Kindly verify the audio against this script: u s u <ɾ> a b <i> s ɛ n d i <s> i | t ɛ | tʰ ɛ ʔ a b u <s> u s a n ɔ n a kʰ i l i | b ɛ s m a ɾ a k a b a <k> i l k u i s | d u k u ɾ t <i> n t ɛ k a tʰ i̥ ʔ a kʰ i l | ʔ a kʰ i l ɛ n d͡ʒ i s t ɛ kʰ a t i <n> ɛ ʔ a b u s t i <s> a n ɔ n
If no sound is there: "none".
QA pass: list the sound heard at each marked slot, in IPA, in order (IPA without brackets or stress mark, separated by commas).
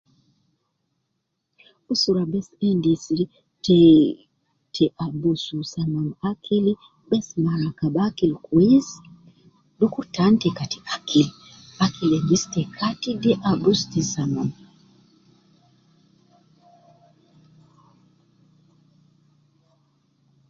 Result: ɾ, ɛ, s, s, k, a, d, s